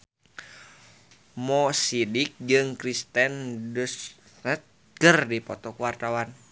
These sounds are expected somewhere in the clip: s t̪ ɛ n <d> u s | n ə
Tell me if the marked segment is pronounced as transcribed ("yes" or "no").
yes